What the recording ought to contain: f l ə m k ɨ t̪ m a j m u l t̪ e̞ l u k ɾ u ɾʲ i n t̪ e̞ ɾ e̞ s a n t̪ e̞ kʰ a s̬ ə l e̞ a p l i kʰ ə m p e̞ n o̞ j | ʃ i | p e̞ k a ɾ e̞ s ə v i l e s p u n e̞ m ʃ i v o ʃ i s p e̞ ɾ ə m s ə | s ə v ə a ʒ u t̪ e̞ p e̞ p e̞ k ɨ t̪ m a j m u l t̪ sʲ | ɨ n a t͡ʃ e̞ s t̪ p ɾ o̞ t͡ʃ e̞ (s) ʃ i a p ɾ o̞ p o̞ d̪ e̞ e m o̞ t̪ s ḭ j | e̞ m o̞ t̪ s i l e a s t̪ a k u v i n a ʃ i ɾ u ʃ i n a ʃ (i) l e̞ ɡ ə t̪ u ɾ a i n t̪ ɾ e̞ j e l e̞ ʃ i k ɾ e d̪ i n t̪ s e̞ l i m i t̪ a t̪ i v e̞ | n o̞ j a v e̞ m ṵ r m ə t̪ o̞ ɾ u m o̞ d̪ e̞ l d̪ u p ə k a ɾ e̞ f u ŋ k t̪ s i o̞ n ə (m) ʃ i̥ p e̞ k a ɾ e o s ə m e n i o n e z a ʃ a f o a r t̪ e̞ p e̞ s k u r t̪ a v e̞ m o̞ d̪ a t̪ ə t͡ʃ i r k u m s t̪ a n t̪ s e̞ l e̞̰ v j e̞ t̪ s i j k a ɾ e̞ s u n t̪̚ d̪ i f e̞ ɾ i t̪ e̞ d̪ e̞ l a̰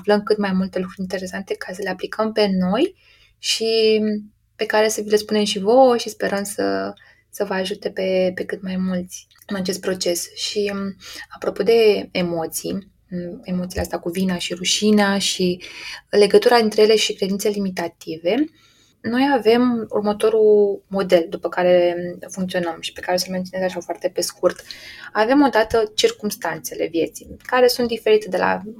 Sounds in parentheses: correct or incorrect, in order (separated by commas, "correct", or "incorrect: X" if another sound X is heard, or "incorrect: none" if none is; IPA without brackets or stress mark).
correct, correct, correct